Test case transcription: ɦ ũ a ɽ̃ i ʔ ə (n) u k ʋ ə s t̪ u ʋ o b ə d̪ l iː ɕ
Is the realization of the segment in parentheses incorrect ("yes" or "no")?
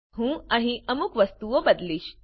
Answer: yes